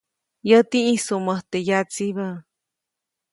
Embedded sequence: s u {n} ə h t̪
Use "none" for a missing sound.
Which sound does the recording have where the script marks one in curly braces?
m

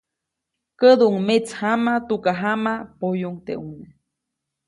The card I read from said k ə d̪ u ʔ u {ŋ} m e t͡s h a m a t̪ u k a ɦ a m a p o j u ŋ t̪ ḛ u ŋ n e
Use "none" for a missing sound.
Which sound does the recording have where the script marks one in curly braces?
ŋ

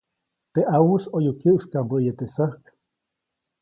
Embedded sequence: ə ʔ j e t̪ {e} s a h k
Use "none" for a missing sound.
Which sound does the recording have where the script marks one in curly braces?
e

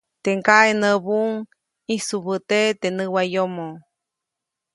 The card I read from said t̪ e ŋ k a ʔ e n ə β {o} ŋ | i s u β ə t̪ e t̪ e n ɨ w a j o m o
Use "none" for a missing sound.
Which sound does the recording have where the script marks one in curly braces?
u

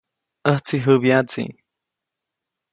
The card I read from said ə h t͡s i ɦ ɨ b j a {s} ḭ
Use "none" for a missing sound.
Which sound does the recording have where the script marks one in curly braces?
t͡s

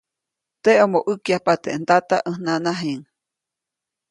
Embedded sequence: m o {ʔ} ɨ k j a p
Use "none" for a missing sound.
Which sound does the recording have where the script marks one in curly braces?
ʔ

